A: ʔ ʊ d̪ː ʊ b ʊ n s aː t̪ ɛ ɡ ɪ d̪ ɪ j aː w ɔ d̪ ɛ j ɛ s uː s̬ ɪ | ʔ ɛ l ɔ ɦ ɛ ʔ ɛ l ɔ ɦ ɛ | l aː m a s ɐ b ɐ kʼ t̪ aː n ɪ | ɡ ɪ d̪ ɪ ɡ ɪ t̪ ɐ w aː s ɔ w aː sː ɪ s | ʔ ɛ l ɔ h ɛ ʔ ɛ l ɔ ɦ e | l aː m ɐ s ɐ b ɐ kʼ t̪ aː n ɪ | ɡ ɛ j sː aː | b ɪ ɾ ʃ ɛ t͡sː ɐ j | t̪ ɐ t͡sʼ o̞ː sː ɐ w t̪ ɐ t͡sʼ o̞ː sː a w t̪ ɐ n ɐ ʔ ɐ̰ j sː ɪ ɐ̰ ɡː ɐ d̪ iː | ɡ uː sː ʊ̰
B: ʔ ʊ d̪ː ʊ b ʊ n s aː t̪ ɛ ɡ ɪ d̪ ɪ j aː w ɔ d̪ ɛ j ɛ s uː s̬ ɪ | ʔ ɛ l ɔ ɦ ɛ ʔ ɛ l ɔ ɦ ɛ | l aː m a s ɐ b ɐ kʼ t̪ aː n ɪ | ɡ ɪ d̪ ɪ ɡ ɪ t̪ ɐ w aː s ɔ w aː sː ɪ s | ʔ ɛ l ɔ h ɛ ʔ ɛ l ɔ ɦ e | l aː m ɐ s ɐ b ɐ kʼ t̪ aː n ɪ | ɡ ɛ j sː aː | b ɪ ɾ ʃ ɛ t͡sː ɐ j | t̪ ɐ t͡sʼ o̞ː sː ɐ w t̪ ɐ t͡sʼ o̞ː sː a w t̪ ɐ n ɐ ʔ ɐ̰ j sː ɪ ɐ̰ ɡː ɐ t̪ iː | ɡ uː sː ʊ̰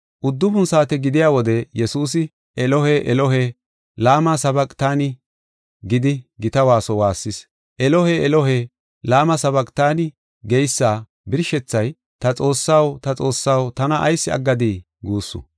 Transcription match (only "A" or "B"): A